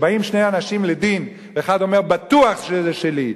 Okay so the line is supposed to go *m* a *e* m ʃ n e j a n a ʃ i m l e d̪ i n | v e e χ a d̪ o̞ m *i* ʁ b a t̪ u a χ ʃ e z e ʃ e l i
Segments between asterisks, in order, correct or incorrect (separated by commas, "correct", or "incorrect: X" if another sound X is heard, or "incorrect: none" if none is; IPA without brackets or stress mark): incorrect: b, incorrect: i, incorrect: e